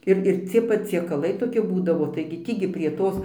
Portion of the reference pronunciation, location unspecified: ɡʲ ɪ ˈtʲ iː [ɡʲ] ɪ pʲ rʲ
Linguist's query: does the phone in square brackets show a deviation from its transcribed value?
no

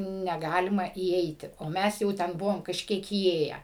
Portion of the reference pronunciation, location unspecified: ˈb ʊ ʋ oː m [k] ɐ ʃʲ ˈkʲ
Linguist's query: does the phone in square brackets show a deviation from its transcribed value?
no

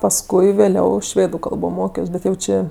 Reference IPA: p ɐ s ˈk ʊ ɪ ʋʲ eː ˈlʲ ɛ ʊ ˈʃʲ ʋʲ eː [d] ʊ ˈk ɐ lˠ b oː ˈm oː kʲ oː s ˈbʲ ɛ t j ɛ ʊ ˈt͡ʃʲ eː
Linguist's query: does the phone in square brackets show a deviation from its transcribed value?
no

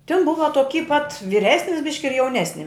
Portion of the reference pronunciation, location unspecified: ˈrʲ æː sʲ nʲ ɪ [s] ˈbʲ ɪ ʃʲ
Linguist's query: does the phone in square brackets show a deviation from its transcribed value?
no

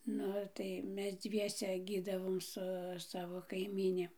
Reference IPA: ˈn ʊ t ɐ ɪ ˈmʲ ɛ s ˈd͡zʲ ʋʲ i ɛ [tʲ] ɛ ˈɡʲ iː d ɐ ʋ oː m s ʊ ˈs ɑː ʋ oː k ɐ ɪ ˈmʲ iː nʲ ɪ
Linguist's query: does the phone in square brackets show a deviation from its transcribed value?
yes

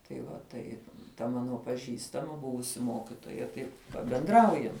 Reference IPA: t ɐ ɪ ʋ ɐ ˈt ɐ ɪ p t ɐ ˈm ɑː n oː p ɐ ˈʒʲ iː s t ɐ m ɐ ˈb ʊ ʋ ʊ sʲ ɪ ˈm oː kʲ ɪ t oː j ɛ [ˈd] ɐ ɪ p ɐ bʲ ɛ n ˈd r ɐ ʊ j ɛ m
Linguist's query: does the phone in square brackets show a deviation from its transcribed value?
yes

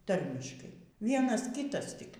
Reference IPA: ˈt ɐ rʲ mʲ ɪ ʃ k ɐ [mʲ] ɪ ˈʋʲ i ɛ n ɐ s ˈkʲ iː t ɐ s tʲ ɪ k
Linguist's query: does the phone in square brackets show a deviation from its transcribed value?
yes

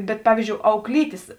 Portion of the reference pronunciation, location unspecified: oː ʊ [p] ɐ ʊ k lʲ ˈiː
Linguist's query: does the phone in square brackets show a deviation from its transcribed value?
yes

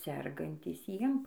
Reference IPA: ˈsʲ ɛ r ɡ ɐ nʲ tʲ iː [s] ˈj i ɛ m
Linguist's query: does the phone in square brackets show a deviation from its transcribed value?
no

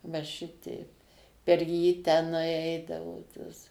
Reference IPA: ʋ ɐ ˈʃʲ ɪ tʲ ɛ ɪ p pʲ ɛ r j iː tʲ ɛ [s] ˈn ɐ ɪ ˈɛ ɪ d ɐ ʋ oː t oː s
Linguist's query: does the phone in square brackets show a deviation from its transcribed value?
yes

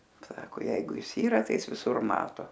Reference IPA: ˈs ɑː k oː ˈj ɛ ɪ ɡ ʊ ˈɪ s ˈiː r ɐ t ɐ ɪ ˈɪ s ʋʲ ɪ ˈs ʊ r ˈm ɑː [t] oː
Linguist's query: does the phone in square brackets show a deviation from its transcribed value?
no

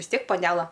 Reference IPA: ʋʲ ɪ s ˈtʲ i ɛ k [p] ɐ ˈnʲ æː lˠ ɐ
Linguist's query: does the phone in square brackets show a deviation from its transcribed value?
no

